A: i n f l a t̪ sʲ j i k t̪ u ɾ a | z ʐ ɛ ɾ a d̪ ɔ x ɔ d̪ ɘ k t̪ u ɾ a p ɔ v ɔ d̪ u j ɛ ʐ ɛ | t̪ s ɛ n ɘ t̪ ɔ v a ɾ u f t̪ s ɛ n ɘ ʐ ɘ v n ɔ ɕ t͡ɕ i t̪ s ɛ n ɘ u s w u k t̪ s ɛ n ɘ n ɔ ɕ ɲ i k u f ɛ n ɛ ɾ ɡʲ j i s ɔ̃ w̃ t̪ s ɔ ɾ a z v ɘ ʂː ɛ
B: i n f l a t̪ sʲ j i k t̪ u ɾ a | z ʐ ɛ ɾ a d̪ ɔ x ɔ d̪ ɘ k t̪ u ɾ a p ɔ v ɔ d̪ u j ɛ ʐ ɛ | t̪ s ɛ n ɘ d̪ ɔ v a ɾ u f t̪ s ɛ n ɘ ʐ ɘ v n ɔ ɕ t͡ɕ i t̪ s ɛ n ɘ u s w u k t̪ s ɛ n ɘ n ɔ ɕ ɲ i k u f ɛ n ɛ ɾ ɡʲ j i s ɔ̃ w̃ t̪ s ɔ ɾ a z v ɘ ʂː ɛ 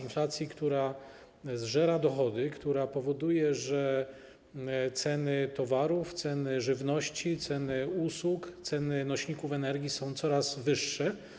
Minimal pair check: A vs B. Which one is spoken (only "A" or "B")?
A